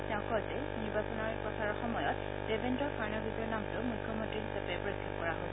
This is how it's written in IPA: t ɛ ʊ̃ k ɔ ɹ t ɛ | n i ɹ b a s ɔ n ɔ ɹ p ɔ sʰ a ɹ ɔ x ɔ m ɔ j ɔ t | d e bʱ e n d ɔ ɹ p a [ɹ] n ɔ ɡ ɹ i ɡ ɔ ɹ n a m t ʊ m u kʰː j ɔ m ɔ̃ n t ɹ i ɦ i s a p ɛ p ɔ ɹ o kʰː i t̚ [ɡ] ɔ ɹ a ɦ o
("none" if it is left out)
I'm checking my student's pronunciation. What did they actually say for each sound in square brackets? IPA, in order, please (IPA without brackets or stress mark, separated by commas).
ɹ, k